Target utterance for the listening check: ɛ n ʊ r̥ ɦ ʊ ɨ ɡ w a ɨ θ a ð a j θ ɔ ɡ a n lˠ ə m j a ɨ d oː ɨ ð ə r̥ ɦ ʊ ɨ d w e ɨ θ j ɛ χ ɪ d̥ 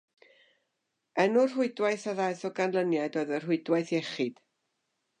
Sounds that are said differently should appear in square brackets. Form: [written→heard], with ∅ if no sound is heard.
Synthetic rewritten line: ɛ n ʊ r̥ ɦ ʊ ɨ [ɡ→d] w a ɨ θ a ð a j θ ɔ ɡ a n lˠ ə [m→n] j a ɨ d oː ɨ ð ə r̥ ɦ ʊ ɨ d w [e→a] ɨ θ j ɛ χ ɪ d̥